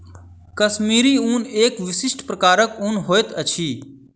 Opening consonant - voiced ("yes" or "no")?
no